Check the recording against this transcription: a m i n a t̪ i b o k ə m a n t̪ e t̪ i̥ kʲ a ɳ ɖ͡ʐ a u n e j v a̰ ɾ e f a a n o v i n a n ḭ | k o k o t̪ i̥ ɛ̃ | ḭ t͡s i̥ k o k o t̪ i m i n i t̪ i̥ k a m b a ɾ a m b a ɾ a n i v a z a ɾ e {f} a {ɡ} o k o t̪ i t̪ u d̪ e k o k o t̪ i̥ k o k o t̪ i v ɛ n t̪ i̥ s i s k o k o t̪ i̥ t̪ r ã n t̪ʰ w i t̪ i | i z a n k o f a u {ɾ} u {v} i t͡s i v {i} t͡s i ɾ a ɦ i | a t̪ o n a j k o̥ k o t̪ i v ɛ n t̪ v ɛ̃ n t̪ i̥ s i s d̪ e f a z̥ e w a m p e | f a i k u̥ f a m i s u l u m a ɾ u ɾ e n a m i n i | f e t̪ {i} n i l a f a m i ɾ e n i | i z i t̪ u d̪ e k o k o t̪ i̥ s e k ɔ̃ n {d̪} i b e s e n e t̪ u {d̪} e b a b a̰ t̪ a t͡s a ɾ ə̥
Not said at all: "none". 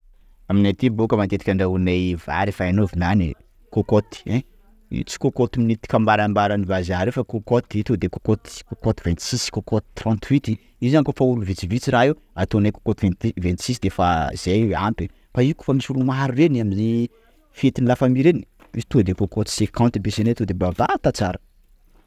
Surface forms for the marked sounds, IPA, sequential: f, k, l, v, i, i, t̪, d̪

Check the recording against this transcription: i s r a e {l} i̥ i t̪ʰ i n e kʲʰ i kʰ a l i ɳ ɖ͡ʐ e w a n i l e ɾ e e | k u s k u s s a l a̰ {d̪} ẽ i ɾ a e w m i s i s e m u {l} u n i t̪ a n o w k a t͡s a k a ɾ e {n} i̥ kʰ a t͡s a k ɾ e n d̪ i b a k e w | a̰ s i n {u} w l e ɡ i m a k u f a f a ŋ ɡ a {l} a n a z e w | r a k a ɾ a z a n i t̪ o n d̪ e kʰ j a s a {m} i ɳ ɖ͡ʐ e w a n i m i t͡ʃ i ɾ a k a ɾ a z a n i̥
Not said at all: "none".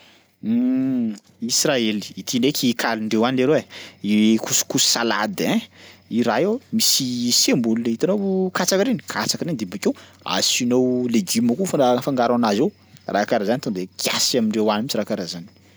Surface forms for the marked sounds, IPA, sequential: l, d̪, l, n, o, ɾ, m

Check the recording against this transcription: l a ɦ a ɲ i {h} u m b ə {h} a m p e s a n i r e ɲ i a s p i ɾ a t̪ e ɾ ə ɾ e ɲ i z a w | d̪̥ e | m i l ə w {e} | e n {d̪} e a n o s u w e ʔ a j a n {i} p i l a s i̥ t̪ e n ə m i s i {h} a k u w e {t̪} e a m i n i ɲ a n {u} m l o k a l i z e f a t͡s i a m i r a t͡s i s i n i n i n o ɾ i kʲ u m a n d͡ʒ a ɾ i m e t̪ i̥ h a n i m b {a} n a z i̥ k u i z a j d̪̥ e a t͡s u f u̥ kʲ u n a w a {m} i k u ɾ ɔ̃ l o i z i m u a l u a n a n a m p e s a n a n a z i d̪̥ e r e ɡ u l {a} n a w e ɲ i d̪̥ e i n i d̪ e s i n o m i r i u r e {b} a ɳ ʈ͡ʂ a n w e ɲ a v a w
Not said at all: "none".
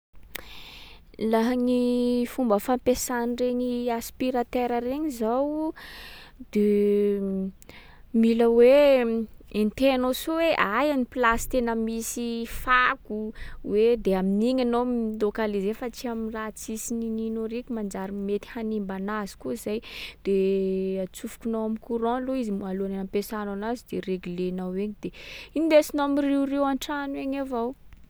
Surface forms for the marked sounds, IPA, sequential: f, f, e, t̪, i, f, d̪, o, a, m, e, w

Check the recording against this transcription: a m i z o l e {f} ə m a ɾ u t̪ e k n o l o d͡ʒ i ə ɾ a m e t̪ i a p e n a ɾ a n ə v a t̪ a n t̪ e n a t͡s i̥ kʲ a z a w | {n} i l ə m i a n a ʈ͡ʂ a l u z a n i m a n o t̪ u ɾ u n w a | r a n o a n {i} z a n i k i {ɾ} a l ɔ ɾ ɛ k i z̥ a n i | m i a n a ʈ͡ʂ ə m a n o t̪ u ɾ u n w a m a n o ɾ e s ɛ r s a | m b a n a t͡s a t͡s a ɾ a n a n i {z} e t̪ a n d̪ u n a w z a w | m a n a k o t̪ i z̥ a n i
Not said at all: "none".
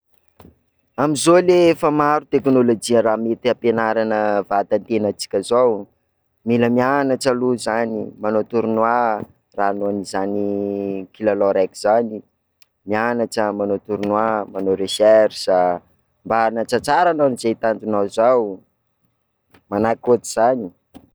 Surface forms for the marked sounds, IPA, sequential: f, m, i, l, z

